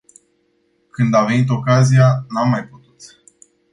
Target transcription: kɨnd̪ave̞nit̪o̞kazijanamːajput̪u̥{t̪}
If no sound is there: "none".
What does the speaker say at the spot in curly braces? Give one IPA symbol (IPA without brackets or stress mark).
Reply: t̪